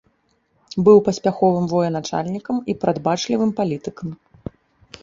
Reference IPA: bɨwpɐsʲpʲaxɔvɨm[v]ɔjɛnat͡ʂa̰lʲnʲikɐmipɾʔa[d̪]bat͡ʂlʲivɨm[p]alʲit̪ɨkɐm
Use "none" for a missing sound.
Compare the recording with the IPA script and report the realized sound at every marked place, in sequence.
v, d̪, p

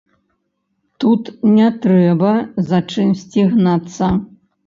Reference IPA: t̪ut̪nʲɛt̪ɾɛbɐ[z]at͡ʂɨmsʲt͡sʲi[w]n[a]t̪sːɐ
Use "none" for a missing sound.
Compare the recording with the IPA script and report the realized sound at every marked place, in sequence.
z, ɣ, a

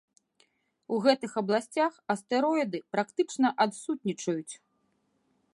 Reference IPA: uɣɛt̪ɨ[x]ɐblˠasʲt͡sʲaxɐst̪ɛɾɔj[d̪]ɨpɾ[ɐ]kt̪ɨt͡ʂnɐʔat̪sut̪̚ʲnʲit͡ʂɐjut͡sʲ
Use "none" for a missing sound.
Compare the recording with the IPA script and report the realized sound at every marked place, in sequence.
x, d̪, a

